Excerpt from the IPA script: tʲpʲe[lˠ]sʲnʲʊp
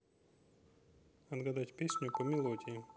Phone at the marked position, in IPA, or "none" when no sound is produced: none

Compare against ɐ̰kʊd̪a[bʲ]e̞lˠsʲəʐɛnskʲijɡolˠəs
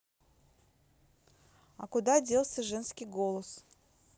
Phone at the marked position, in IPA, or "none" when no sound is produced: dʲ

